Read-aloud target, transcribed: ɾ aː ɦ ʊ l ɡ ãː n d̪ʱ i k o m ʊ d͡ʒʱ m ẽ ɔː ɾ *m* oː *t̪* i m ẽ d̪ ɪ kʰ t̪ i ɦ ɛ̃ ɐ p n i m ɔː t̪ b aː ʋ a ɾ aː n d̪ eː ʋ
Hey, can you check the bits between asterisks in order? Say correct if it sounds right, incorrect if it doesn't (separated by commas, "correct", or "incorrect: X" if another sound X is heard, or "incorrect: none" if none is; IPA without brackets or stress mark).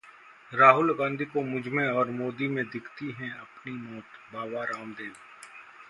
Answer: correct, incorrect: d̪